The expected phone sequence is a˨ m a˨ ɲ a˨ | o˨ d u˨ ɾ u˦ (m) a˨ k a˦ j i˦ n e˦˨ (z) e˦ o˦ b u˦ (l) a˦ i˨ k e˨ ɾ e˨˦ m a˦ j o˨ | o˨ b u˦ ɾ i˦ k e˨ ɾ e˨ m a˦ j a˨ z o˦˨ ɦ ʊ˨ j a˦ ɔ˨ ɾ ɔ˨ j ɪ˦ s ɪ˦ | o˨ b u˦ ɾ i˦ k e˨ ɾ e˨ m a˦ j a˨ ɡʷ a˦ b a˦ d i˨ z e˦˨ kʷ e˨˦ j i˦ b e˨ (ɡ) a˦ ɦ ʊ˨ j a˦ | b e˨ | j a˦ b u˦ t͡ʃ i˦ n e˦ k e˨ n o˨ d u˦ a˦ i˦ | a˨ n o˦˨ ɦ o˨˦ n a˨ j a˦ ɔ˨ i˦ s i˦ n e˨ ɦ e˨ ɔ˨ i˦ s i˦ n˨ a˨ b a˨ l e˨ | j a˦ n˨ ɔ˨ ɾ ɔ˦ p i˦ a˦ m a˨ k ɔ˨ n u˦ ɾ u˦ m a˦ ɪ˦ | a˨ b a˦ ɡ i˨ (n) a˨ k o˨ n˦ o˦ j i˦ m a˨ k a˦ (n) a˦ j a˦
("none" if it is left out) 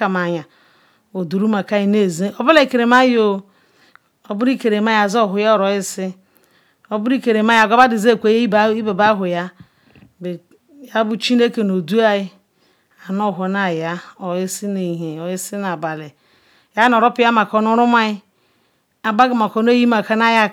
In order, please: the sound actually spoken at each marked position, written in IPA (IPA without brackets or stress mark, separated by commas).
m, z, l, b, m, n